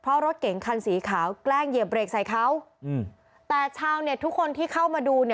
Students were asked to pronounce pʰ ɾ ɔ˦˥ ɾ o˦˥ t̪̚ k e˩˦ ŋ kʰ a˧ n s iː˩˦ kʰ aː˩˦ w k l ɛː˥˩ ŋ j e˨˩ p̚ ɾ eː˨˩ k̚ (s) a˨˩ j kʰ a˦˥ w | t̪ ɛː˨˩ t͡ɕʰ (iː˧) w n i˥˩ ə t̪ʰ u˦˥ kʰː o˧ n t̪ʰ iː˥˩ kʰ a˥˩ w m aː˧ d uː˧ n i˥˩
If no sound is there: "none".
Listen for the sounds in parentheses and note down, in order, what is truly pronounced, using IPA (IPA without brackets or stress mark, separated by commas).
s, aː˧